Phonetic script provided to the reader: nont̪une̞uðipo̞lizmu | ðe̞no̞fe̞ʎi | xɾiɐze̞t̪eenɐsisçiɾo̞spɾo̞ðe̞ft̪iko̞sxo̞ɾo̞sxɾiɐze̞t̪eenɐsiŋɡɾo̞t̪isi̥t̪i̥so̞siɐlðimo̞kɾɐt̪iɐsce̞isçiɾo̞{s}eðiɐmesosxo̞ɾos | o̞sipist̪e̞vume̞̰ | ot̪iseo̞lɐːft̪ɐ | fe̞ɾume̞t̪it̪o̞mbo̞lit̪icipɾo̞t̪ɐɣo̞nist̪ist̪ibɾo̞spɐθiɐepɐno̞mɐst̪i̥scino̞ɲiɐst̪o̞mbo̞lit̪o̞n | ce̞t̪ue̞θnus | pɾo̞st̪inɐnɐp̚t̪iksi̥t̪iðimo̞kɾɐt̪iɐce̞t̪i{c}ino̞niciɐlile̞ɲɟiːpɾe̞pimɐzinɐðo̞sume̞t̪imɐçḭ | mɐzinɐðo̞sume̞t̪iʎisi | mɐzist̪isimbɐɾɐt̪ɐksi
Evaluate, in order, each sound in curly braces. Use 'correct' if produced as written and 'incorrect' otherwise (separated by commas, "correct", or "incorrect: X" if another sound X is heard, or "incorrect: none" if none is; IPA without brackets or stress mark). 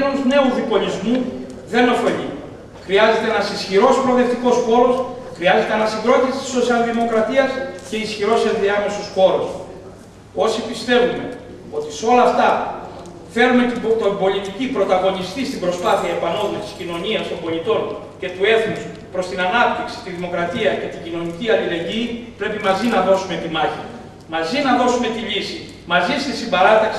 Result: correct, incorrect: ɟ